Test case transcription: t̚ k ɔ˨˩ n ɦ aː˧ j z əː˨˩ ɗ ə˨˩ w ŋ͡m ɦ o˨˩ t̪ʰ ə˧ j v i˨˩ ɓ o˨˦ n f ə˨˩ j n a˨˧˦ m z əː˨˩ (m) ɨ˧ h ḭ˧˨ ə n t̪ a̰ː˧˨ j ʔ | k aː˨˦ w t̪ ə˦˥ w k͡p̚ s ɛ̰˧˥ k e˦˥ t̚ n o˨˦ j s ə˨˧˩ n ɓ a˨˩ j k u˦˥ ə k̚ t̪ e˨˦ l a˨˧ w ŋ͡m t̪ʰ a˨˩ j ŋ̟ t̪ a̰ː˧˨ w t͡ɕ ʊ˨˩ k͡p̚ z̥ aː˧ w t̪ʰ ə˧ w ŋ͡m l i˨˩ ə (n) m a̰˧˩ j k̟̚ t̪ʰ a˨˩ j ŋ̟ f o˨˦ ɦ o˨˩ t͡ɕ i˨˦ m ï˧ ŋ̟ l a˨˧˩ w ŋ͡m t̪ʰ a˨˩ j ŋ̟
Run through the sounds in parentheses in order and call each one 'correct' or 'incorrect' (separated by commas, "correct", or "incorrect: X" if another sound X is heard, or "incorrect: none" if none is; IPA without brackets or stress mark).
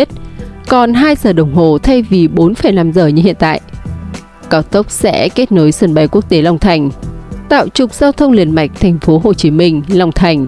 incorrect: ɲ, correct